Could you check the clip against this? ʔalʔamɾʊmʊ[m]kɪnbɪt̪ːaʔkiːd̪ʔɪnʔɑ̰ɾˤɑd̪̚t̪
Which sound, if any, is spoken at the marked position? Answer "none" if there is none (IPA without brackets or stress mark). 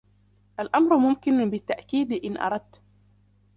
m